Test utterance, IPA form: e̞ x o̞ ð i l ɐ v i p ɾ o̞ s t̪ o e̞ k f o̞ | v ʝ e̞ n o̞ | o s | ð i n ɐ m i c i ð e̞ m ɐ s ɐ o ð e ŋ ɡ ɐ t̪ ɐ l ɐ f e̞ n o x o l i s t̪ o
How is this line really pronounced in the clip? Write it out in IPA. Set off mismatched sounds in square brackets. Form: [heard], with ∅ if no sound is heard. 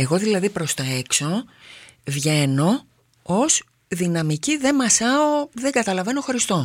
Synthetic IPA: e̞ [ɣ] o̞ ð i l ɐ [ð] i p ɾ o̞ s t̪ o e̞ k [s] o̞ | v ʝ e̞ n o̞ | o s | ð i n ɐ m i c i ð e̞ m ɐ s ɐ o ð e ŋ ɡ ɐ t̪ ɐ l ɐ [v] e̞ n o x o [ɾ] i s t̪ o